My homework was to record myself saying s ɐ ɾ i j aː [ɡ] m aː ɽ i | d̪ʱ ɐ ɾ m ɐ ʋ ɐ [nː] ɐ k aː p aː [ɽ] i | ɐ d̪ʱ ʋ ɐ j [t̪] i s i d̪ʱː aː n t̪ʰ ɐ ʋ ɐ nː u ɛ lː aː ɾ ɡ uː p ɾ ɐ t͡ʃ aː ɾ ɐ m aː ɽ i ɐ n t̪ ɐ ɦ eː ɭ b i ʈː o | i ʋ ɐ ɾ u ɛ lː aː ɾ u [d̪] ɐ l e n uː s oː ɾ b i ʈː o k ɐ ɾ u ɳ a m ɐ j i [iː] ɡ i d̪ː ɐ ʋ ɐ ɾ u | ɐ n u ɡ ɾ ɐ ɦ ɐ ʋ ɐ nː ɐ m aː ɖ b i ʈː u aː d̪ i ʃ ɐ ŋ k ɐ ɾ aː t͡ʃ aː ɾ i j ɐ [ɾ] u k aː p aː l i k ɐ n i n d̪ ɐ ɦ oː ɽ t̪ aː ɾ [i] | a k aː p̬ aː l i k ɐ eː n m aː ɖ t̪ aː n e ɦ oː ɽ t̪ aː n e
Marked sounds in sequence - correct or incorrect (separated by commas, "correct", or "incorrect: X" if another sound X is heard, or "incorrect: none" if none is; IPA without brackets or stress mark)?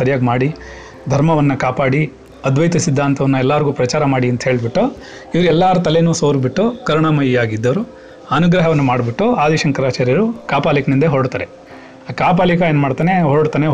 correct, correct, correct, correct, incorrect: t̪, incorrect: aː, correct, incorrect: e